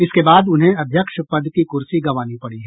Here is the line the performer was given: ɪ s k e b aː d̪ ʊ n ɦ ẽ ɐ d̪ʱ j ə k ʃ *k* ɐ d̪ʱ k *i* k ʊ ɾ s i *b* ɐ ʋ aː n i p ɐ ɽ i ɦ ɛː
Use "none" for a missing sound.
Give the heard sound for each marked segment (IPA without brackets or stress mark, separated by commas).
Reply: p, i, ɡ